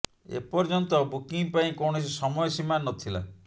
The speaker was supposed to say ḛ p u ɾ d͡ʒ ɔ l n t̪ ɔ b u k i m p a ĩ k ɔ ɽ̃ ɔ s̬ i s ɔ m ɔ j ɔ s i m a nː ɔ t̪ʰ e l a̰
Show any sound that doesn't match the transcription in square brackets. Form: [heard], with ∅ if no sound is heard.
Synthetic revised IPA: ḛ p [ɔ] ɾ d͡ʒ ɔ [∅] n t̪ ɔ b u k i [ŋ] p a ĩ k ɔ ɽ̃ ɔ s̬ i s ɔ m ɔ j ɔ s i m a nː ɔ t̪ʰ [i] l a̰